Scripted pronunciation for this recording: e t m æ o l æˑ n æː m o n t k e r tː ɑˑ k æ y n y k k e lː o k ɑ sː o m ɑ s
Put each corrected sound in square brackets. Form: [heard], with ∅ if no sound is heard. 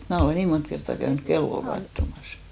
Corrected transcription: e t m [æː] o l [eˑ] n [iː] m o n t k e r tː ɑˑ k æ y n y k k e lː o k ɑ [tː] o m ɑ s